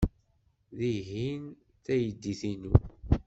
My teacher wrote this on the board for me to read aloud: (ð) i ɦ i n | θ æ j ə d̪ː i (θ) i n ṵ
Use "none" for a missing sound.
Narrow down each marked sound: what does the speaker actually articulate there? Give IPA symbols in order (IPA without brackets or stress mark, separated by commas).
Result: ð, θ